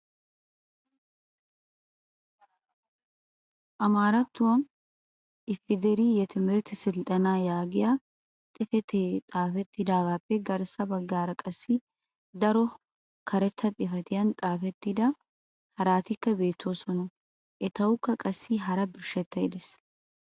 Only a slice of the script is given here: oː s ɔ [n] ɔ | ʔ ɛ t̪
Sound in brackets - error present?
no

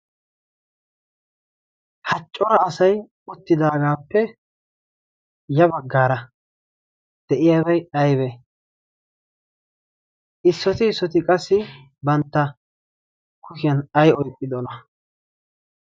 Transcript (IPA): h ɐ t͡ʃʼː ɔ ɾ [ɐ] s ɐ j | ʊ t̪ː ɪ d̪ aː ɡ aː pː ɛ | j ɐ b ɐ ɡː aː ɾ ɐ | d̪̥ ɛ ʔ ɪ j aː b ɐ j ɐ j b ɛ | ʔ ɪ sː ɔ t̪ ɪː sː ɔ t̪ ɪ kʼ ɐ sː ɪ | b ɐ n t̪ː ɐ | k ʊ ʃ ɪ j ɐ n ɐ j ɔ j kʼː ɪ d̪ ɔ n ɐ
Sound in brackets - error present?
yes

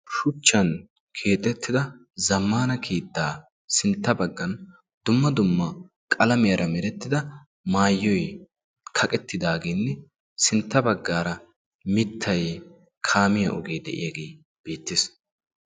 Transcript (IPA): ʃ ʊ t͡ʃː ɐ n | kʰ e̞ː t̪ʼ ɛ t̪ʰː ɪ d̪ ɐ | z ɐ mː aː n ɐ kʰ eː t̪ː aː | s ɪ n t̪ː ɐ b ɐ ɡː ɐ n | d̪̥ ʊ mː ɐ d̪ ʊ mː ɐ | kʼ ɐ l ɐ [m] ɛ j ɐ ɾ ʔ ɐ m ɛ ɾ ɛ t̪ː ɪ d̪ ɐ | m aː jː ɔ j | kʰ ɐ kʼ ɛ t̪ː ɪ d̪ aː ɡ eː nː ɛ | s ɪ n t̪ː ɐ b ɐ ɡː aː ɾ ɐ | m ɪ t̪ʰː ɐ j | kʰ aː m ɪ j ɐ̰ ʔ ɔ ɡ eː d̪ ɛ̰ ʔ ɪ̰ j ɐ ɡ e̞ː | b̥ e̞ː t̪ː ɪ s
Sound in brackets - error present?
no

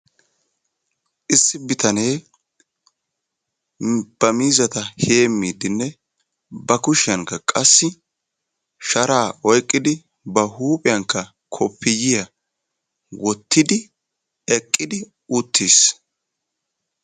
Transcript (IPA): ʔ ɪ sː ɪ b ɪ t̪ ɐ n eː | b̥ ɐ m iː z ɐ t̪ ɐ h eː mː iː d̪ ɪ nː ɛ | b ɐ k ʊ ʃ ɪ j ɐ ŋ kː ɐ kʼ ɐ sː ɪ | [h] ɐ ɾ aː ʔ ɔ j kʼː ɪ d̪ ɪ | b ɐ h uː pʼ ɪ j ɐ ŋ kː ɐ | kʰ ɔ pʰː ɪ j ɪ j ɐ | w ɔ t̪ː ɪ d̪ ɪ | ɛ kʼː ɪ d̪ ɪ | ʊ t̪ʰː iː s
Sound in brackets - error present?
yes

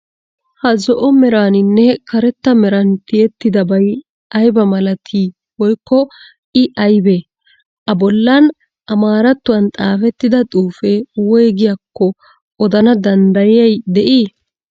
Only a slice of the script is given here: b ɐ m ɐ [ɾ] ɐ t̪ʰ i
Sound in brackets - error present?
yes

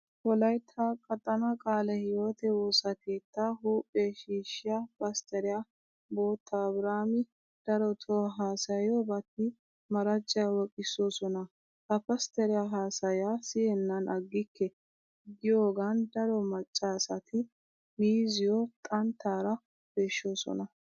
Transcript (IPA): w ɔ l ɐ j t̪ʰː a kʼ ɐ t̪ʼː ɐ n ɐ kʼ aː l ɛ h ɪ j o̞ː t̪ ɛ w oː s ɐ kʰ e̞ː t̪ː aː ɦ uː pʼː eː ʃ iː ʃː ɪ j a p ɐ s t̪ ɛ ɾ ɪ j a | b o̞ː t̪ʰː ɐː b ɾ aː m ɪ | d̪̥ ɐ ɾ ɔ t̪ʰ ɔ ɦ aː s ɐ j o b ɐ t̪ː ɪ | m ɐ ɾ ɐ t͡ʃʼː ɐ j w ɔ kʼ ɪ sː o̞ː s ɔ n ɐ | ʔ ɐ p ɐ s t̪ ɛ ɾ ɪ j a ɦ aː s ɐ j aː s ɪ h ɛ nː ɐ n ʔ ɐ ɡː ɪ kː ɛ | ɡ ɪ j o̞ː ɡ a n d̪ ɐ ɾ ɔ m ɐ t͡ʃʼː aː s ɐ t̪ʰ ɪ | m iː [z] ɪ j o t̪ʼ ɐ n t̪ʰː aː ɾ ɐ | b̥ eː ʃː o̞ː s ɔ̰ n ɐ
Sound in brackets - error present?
no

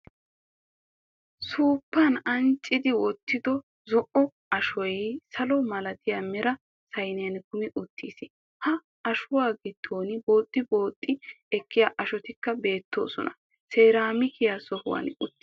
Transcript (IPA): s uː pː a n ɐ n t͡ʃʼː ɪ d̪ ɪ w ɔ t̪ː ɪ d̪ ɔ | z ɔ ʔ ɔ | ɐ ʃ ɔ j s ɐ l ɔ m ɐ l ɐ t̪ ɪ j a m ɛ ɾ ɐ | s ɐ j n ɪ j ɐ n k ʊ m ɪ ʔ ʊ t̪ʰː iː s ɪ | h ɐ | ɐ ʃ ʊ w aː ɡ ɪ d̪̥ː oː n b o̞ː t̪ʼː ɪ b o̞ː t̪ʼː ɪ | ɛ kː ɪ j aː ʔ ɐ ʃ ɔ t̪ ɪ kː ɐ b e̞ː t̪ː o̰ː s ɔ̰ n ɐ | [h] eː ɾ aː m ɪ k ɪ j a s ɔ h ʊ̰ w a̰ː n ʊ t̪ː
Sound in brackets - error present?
yes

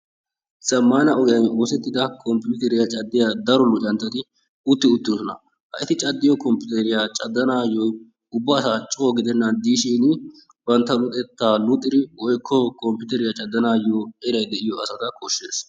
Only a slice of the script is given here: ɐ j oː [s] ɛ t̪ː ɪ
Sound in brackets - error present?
no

